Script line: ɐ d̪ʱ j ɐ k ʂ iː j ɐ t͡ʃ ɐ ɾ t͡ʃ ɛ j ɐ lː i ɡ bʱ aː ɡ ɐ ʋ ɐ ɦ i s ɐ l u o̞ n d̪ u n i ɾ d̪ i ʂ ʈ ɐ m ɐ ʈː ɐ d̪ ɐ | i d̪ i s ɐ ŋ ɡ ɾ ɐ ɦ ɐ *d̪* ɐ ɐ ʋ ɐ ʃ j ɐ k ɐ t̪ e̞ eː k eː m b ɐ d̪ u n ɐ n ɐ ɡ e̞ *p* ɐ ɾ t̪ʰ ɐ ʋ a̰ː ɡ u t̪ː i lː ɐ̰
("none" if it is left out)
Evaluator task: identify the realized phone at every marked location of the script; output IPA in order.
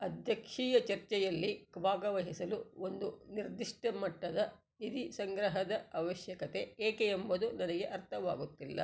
d̪, ʔ

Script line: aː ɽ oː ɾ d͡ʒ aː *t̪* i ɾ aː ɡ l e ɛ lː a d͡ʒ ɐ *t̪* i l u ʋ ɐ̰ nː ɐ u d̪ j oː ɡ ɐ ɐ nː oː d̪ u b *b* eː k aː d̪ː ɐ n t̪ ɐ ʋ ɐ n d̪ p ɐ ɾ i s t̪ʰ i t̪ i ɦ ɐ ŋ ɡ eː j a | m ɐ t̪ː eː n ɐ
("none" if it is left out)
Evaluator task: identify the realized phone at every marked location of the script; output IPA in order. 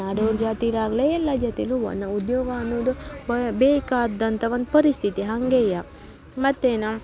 t̪, t̪, b

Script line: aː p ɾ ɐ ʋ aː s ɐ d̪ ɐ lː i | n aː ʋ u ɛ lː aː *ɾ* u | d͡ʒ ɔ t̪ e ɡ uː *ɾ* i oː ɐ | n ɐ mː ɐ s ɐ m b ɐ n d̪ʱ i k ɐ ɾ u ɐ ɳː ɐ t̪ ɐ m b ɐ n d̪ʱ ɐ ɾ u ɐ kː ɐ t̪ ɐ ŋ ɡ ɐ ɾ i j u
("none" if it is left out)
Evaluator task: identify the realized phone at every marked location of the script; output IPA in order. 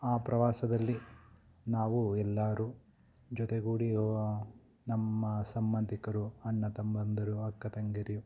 ɾ, ɽ

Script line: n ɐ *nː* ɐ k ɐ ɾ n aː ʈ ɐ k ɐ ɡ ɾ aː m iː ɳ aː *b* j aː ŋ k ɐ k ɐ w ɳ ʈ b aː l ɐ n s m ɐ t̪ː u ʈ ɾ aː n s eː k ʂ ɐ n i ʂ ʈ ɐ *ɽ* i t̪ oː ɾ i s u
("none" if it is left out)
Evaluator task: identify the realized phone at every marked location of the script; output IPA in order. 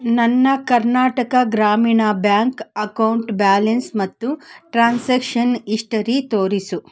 nː, b, ɾ

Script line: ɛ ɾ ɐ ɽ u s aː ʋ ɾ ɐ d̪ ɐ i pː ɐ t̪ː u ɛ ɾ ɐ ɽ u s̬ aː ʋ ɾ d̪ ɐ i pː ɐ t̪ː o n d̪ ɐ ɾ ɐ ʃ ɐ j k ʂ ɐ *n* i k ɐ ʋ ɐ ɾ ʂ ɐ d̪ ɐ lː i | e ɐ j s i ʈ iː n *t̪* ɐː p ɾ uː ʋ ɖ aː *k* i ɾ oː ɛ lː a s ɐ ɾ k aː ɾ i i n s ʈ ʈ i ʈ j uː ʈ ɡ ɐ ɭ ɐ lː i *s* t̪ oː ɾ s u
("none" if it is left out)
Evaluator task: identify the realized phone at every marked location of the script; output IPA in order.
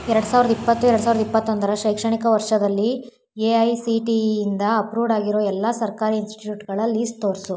ɳ, d̪, ɡ, s

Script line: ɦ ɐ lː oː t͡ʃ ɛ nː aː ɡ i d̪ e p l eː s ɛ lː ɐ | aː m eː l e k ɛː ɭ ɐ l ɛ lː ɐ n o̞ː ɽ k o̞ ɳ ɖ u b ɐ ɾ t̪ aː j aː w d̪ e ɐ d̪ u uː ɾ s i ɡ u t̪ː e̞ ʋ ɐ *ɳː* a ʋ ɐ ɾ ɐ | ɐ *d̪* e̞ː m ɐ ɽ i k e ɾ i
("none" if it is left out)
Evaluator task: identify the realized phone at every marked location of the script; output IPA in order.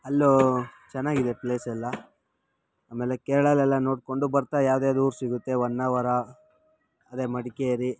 nː, d̪

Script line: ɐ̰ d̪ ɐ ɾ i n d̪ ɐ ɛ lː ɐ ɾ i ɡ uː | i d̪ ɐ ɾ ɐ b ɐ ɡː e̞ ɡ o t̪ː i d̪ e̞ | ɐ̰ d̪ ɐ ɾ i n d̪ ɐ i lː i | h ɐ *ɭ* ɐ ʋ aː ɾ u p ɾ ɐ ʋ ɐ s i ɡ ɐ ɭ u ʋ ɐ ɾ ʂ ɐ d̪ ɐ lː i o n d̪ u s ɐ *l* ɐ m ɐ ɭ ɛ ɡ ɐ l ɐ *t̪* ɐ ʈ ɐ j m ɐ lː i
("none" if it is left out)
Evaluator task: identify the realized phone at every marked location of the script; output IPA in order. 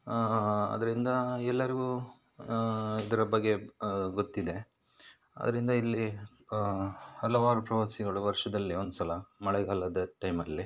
l, l, d̪

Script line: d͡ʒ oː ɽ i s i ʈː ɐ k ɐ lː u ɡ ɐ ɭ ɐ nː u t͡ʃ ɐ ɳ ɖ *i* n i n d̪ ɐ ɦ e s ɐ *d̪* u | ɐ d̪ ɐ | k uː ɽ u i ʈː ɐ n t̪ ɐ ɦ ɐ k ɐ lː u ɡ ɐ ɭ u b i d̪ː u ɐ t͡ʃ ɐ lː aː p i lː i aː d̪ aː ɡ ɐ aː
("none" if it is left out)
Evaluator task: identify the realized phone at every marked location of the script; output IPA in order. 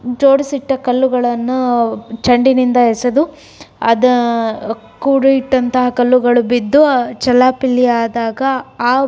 i, d̪

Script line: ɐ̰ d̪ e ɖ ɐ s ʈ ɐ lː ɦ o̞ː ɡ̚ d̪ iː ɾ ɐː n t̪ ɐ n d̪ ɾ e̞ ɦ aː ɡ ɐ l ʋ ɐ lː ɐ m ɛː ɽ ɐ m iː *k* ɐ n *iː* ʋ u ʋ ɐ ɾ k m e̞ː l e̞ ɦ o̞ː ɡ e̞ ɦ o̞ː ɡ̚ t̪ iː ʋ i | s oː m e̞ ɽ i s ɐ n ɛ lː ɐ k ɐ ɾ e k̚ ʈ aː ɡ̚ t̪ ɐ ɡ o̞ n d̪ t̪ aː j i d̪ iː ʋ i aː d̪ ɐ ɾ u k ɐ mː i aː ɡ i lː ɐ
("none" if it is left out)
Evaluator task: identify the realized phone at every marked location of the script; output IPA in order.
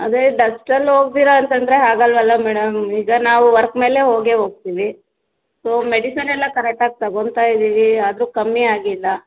ɡ, aː

